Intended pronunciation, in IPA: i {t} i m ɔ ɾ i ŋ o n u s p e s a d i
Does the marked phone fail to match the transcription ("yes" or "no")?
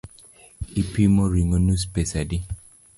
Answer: yes